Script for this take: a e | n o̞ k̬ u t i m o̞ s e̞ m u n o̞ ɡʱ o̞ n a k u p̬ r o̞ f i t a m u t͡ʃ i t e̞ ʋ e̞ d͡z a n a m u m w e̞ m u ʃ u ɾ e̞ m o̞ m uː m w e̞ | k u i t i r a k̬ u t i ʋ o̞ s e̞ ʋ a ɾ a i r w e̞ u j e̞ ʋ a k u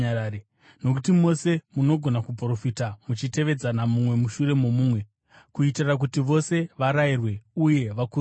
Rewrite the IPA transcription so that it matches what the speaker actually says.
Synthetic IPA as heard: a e | n o̞ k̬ u t i m o̞ s e̞ m u n o̞ ɡʱ o̞ n a k u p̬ r o̞ f i t a m u t͡ʃ i t e̞ ʋ e̞ d͡z a n a m u m w e̞ m u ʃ u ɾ e̞ m o̞ m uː m w e̞ | k u i t i r a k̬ u t i ʋ o̞ s e̞ ʋ a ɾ a i r w e̞ u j e̞ ʋ a k u